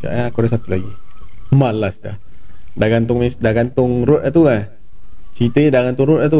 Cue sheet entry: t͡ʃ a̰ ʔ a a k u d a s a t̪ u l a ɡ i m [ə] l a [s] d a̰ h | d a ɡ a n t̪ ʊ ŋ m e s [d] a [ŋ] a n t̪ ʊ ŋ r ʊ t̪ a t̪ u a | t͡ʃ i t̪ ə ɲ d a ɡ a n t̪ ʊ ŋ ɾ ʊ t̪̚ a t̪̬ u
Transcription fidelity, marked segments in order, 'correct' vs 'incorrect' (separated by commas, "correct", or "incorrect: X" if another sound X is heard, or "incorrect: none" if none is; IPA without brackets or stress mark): incorrect: a, correct, correct, incorrect: ɡ